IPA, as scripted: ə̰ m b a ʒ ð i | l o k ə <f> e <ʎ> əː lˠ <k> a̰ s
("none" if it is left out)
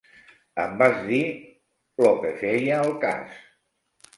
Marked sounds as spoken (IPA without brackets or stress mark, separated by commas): f, j, k